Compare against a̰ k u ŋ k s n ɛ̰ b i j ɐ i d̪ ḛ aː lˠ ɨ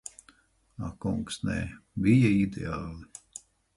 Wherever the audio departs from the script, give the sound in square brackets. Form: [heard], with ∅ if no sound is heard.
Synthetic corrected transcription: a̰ k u ŋ k s n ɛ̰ b i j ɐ i d̪ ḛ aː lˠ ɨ